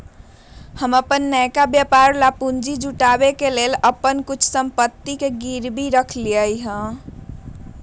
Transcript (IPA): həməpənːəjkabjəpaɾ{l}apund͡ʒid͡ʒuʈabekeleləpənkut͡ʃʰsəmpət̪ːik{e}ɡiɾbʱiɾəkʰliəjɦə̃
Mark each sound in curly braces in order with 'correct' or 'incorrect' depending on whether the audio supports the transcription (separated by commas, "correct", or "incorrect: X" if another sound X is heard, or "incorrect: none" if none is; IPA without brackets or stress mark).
correct, correct